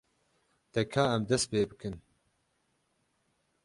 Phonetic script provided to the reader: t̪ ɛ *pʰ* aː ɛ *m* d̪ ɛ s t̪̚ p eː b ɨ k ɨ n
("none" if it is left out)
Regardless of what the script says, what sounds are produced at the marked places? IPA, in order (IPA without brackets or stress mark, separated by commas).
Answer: kʰ, m